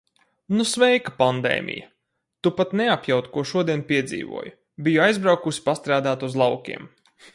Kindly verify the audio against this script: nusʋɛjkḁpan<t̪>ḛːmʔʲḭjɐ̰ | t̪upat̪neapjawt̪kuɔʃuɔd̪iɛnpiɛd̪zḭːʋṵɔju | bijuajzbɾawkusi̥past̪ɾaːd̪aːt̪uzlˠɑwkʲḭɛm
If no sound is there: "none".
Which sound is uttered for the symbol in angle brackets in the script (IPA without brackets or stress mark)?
d̪